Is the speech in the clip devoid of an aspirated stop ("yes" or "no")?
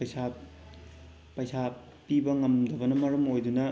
yes